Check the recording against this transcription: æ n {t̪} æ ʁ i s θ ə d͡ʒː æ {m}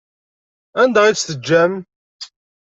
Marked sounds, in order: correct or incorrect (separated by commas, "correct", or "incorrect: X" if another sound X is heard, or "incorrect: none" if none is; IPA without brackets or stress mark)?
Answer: incorrect: d̪, correct